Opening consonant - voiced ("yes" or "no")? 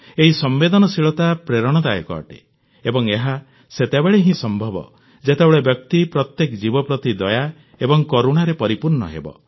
yes